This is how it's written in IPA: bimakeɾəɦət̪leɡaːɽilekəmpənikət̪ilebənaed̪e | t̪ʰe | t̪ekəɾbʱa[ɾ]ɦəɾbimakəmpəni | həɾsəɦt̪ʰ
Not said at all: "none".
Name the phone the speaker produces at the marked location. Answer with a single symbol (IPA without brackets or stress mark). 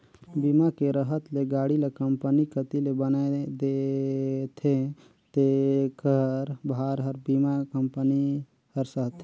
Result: ɾ